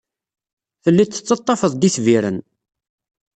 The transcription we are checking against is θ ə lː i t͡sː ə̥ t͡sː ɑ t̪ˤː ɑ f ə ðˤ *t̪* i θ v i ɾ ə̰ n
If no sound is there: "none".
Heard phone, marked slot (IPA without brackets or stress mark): d̪